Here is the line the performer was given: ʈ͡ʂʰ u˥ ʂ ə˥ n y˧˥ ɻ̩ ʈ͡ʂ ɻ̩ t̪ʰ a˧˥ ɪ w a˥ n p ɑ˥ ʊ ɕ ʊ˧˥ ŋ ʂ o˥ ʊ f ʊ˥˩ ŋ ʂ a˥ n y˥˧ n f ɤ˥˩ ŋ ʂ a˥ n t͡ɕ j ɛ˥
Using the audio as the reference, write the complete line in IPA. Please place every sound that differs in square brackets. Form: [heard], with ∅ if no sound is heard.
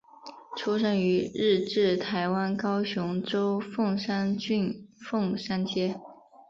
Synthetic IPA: ʈ͡ʂʰ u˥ ʂ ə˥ n y˧˥ ɻ̩ ʈ͡ʂ ɻ̩ t̪ʰ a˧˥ ɪ w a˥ n [k] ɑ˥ ʊ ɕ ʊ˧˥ ŋ [ʈ͡ʂ] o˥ ʊ f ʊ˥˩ ŋ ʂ a˥ n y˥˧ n f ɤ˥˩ ŋ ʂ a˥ n t͡ɕ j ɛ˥